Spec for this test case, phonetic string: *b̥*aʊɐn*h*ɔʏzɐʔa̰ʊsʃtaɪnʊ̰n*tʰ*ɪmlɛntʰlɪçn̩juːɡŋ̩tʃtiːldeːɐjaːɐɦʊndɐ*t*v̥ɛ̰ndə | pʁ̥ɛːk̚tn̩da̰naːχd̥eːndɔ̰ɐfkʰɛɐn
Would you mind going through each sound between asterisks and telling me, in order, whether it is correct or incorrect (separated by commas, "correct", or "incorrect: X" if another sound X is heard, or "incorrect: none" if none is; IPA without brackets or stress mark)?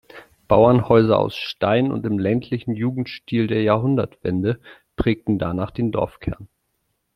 correct, correct, incorrect: t, correct